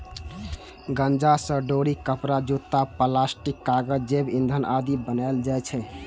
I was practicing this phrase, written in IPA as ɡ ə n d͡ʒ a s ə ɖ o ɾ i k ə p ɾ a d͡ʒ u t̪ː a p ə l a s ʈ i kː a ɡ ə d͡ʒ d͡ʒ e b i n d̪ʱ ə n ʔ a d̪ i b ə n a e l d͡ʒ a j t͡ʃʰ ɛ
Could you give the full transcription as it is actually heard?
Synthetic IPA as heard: ɡ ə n d͡ʒ a s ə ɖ o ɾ i k ə p ɾ a d͡ʒ u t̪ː a p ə l a s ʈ i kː a ɡ ə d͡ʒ d͡ʒ e b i n d̪ʱ ə n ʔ a d̪ i b ə n a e l d͡ʒ a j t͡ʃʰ ɛ

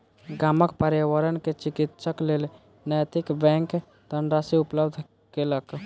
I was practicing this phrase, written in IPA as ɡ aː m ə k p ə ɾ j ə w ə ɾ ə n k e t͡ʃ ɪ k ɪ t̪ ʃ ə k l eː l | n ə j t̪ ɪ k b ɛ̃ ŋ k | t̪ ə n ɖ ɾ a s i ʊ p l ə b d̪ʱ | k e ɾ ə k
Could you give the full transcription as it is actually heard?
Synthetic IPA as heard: ɡ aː m ə k p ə ɾ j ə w ə ɾ ə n k e t͡ʃ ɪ k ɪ t̪ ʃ ə k l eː l | n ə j t̪ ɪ k b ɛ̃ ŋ k | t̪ ə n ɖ ɾ a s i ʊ p l ə b d̪ʱ | k e l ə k

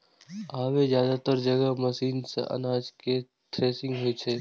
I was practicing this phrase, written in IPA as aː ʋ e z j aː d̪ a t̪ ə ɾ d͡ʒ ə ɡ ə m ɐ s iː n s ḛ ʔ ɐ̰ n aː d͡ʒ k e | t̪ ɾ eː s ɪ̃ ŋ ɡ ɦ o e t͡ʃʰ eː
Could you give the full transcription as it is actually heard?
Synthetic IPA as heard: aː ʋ e z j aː d̪ a t̪ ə ɾ d͡ʒ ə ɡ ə m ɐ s iː n s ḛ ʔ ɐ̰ n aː d͡ʒ k e | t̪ ɾ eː s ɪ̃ ŋ ɡ ɦ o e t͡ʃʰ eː

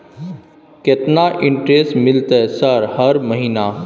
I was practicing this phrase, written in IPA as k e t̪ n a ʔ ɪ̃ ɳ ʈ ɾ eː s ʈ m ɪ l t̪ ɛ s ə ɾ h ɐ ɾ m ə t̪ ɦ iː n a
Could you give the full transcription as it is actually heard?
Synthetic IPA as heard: k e t̪ n a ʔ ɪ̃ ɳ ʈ ɾ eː s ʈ m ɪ l t̪ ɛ s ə ɾ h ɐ ɾ m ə ɦ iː n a

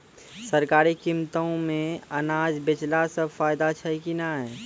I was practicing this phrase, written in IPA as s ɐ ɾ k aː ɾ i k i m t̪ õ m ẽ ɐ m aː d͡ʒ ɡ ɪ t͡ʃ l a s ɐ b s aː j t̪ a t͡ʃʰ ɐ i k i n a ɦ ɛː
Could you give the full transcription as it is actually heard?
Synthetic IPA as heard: s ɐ ɾ k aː ɾ i k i m t̪ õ m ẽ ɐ n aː d͡ʒ b ɪ t͡ʃ l a s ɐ b f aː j d̪ a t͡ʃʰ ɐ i k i n a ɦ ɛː

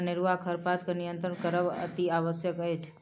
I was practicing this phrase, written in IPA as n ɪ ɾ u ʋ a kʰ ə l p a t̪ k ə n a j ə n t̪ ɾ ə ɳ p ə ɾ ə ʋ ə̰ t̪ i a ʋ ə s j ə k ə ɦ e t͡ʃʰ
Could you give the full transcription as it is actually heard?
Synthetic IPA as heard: n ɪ ɾ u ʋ a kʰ ə ɾ p a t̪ k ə n i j ə n t̪ ɾ ə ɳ k ə ɾ ə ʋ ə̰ t̪ i a ʋ ə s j ə k ə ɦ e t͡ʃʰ

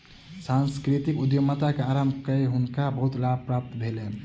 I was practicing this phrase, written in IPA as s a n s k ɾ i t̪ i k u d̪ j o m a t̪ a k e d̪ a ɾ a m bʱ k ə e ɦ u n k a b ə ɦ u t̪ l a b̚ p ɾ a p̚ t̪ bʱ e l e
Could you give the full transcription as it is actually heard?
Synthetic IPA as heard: s a n s k ɾ i t̪ i k u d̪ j o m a t̪ a k e a ɾ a m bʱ k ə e ɦ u n k a b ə ɦ u t̪ l a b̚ p ɾ a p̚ t̪ bʱ e l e

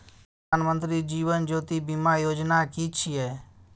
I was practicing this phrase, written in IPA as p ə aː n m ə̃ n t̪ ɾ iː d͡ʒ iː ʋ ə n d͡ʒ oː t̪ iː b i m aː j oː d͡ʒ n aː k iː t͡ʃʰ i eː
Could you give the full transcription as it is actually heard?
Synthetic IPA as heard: p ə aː n m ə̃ n t̪ ɾ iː d͡ʒ iː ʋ ə n d͡ʒ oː t̪ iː b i m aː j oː d͡ʒ n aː k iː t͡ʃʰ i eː

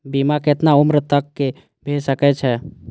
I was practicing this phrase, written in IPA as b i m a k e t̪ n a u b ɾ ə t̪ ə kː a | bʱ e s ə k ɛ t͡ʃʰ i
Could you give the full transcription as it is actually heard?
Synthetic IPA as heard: b i m a k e t̪ n a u m ɾ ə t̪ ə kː e | bʱ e s ə k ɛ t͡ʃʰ ɛ

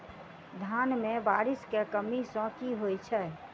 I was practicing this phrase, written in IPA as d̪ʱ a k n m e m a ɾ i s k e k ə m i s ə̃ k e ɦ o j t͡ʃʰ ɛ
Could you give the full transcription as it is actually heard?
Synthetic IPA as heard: d̪ʱ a n m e b a ɾ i s k e k ə m i s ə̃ k i ɦ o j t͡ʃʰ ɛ

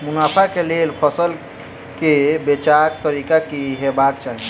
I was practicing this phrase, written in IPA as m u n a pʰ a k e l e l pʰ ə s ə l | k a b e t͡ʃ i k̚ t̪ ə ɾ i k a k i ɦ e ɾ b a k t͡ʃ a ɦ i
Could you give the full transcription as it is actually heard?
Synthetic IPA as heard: m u n a pʰ a k e l e l pʰ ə s ə l | k e b e t͡ʃ a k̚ t̪ ə ɾ i k a k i ɦ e b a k t͡ʃ a ɦ i

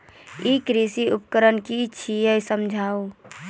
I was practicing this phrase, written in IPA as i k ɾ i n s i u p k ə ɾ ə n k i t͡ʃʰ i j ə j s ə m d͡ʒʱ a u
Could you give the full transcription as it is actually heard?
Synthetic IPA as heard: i k ɾ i s i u p k ə ɾ ə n k i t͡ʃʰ i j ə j s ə m d͡ʒʱ a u

